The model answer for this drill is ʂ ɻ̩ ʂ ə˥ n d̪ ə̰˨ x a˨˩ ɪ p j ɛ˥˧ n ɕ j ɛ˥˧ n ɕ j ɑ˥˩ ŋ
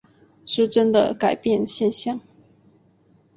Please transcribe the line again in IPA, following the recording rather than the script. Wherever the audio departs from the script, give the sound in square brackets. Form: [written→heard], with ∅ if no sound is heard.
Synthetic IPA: ʂ ɻ̩ [ʂ→ʈ͡ʂ] ə˥ n d̪ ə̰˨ [x→k] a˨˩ ɪ p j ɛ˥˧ n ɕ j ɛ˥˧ n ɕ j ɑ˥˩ ŋ